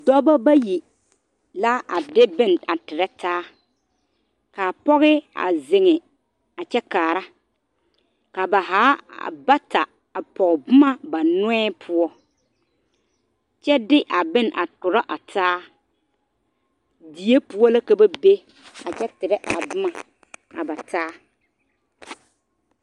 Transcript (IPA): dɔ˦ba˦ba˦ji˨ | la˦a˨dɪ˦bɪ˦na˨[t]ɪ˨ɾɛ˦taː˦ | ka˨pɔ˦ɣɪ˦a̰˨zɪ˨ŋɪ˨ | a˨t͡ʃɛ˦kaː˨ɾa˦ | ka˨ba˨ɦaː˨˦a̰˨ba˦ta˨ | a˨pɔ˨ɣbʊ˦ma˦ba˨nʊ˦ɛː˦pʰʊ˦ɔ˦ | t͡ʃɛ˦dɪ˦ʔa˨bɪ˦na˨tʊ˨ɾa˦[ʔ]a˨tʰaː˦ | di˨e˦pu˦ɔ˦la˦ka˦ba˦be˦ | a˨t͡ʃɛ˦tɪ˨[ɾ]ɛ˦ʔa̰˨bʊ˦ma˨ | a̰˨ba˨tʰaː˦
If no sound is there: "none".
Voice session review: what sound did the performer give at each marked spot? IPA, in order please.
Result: t, ʔ, ɾ

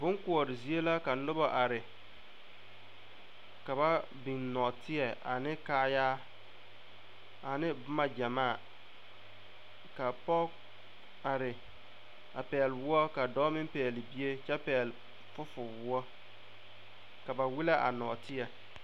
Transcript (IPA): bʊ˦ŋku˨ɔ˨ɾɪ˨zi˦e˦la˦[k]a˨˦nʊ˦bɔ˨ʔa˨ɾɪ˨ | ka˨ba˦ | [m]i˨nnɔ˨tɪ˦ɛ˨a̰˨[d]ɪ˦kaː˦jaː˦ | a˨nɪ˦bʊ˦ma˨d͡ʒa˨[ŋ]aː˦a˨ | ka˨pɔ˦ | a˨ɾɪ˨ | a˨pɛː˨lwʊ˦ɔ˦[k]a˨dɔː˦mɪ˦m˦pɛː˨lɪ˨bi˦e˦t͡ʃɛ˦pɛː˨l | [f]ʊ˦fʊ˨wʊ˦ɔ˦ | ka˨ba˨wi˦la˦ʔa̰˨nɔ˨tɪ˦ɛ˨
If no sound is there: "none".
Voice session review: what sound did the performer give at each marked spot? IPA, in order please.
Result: k, b, n, m, k, f

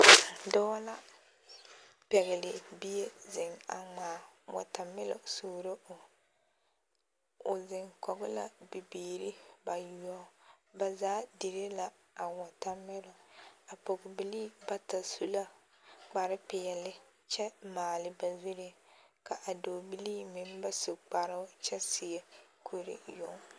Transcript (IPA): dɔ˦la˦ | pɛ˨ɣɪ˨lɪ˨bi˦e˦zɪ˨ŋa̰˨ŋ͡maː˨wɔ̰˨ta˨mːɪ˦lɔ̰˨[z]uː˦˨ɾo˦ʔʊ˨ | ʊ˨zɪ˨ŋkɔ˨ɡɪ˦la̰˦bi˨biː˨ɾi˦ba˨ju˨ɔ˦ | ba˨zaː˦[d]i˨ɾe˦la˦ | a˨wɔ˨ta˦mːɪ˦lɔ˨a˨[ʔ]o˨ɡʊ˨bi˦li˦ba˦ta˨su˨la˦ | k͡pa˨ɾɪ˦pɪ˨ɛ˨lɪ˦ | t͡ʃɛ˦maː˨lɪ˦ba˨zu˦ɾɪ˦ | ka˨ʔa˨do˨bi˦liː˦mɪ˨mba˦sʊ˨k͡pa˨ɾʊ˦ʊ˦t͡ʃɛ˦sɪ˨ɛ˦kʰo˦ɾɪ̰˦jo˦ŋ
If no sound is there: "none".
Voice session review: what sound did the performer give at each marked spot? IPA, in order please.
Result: s, d, p

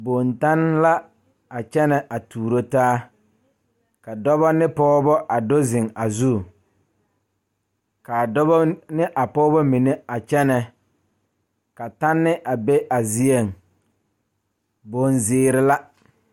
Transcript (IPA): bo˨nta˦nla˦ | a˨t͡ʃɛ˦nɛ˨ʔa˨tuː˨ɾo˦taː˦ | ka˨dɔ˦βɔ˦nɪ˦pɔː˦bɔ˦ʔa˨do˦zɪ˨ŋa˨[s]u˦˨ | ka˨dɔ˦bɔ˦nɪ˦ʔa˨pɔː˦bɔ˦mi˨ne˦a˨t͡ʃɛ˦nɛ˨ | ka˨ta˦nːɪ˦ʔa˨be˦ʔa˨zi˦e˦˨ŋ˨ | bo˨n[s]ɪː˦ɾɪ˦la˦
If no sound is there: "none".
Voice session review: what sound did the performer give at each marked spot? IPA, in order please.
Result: z, z

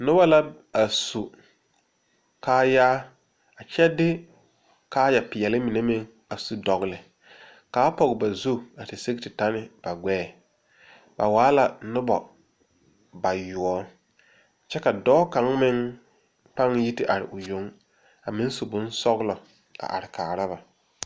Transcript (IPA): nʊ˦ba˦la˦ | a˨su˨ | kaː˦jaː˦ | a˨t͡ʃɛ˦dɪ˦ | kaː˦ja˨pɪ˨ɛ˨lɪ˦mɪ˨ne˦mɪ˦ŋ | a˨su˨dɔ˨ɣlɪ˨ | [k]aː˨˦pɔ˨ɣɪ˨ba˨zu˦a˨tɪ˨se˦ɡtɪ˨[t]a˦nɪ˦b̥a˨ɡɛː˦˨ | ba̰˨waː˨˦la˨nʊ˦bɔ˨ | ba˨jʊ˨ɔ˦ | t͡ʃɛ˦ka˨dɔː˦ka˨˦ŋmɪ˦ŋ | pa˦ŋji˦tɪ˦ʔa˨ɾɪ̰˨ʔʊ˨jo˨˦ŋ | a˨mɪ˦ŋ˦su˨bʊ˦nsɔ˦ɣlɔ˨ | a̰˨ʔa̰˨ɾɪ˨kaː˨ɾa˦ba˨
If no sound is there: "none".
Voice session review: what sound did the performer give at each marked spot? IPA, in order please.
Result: k, t

